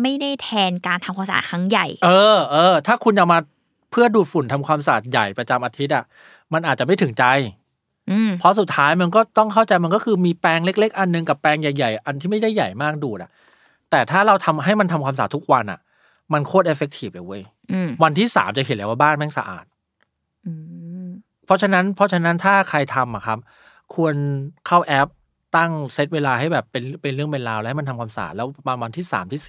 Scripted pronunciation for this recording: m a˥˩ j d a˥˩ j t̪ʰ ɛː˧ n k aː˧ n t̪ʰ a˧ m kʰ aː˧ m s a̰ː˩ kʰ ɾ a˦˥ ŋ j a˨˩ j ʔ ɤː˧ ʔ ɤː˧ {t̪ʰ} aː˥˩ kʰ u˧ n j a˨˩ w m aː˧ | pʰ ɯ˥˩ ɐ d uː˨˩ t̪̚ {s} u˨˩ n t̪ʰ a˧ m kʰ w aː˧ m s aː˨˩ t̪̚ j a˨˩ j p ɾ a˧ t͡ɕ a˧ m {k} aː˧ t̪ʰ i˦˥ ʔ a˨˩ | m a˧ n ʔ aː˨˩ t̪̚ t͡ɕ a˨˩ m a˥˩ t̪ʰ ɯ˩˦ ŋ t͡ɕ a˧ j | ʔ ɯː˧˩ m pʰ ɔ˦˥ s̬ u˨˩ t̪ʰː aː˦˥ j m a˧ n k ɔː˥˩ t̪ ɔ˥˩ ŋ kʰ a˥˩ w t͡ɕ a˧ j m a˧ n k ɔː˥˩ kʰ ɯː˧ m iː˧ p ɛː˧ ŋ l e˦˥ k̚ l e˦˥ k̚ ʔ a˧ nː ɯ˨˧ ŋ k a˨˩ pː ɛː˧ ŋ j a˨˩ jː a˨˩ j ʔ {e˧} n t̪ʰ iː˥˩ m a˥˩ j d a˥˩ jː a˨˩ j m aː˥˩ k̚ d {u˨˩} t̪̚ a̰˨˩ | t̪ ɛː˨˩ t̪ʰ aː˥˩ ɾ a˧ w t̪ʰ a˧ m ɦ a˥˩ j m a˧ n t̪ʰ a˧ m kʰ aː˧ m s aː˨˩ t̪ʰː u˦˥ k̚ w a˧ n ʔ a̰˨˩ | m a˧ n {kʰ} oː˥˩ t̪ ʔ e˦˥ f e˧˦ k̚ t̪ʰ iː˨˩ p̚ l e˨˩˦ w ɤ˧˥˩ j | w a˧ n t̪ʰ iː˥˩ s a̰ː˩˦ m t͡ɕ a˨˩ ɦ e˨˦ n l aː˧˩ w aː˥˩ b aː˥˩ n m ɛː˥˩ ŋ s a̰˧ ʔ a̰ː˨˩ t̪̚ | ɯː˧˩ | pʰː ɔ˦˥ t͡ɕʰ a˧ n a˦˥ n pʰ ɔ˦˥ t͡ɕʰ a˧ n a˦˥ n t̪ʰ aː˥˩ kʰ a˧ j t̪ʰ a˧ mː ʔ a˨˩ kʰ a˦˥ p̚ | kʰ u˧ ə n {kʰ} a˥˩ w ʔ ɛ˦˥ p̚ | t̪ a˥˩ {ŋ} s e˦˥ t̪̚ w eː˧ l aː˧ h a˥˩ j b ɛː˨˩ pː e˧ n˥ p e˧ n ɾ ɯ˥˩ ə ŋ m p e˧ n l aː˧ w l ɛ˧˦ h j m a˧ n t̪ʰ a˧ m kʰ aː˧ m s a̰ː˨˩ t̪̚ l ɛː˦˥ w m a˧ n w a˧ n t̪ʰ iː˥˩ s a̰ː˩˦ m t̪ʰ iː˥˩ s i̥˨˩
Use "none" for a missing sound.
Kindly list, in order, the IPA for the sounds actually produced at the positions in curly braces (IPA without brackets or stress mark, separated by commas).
t̪ʰ, f, ʔ, a˧, uː˨˩, kʰ, kʰ, ŋ